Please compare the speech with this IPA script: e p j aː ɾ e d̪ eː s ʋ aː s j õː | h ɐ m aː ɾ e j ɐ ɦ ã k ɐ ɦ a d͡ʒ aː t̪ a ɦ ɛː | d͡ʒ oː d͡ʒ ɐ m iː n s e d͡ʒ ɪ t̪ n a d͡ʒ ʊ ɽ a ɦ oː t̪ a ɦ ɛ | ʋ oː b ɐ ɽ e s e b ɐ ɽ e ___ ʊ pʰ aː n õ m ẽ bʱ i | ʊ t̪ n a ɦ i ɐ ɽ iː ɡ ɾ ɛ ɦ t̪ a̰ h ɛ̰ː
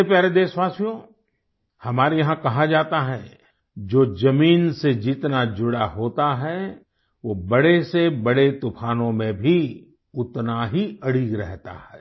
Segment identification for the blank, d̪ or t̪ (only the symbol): t̪